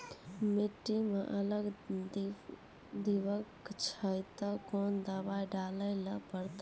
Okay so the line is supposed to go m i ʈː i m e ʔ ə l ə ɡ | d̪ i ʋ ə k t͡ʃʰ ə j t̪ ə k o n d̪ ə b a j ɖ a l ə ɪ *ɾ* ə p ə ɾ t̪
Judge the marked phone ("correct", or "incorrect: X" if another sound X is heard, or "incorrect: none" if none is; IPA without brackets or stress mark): incorrect: l